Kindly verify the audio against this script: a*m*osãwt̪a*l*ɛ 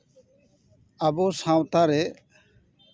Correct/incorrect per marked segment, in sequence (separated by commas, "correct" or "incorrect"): incorrect, incorrect